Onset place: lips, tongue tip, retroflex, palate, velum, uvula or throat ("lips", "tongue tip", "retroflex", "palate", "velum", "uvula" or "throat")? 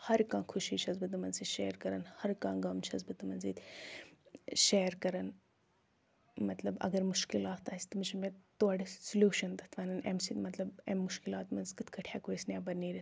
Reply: throat